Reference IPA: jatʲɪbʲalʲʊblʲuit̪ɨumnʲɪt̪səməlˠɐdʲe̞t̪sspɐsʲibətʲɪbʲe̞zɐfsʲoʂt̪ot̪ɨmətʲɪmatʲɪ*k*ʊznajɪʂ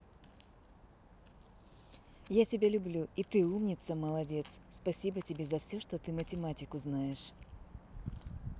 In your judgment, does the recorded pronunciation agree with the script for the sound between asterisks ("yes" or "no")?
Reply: yes